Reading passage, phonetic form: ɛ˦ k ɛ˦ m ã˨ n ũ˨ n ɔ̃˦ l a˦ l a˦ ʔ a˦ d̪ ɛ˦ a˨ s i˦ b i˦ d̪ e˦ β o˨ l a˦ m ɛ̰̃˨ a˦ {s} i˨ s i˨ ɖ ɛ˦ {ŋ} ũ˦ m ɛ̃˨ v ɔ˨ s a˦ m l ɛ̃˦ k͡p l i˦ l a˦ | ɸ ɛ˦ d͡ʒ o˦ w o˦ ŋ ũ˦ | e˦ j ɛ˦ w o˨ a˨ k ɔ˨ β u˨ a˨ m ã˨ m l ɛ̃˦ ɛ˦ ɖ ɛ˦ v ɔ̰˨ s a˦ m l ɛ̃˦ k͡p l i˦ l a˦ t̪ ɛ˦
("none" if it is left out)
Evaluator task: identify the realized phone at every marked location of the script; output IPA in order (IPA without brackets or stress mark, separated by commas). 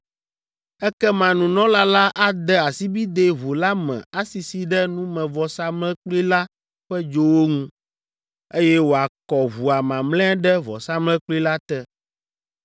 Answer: s, n